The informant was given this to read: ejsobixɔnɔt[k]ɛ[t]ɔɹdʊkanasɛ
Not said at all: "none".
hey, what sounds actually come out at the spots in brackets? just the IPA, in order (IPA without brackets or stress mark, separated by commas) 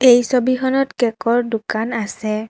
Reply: k, k